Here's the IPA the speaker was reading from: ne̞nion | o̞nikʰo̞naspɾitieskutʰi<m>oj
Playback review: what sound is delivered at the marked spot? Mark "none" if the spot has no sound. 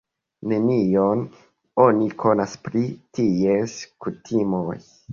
m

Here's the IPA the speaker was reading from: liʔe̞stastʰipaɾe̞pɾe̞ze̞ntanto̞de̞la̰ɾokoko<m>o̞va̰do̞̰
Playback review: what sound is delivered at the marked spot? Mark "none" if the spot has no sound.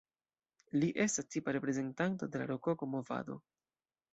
m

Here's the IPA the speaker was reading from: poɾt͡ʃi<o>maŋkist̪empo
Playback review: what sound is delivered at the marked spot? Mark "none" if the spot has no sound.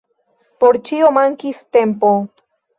o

